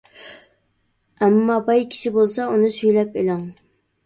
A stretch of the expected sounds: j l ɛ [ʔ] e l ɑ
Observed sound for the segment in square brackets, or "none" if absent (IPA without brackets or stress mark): p